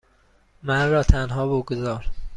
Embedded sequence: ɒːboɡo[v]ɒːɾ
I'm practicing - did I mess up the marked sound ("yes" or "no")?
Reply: yes